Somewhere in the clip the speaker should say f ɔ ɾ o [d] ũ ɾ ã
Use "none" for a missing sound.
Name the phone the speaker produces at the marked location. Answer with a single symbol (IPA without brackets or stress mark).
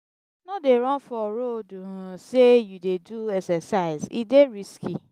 d